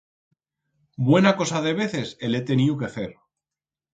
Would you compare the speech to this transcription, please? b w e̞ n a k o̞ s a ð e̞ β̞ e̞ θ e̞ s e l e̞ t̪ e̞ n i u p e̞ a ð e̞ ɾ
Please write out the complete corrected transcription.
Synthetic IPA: b w e̞ n a k o̞ s a ð e̞ β̞ e̞ θ e̞ s e l e̞ t̪ e̞ n i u k e̞ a θ e̞ ɾ